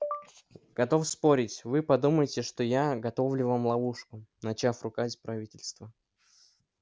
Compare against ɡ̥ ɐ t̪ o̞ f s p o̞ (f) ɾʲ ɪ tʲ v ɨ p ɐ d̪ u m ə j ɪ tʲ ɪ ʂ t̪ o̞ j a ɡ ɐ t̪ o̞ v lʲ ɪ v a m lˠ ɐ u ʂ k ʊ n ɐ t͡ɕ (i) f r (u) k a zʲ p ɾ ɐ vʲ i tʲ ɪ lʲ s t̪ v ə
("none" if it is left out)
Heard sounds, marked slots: none, a, ʊ

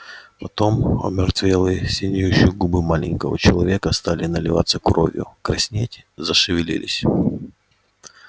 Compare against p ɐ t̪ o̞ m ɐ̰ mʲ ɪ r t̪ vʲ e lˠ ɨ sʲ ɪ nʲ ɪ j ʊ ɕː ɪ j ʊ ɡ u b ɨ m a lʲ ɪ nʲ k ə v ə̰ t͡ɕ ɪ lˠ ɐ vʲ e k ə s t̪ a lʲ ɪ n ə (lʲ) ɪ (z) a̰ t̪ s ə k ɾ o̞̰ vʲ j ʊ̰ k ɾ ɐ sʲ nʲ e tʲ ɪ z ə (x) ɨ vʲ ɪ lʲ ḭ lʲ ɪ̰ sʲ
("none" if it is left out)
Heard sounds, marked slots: lʲ, v, ʂ

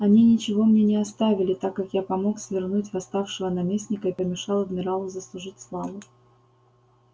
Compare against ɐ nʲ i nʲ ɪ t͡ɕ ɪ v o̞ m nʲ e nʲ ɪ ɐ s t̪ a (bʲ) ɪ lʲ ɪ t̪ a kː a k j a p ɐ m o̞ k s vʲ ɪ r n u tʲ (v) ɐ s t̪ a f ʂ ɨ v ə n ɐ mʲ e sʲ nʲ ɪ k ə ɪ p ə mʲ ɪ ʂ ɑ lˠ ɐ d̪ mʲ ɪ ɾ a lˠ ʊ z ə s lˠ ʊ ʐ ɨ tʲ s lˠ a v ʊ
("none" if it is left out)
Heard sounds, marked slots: vʲ, v

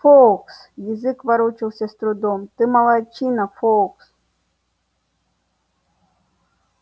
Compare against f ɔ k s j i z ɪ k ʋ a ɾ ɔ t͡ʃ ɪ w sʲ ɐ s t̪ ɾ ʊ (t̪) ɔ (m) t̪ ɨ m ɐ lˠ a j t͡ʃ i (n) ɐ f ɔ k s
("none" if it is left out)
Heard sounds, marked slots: d̪, m, n

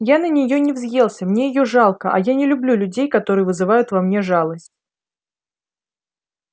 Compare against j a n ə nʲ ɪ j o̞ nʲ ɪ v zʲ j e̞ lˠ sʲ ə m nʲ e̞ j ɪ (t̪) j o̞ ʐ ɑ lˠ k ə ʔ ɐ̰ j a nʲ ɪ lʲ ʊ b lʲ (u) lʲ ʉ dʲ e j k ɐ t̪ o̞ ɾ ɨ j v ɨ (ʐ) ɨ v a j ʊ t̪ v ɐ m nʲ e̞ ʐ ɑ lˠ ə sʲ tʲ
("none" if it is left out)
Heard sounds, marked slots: none, u, z

